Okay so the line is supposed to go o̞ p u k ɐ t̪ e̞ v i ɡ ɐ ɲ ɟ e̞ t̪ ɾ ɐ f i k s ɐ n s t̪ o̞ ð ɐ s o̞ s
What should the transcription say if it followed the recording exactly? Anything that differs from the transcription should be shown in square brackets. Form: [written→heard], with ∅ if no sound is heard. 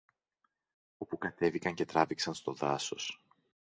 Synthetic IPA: o̞ p u k ɐ t̪ e̞ v i [ɡ→k] ɐ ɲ [ɟ→c] e̞ t̪ ɾ ɐ [f→v] i k s ɐ n s t̪ o̞ ð ɐ s o̞ s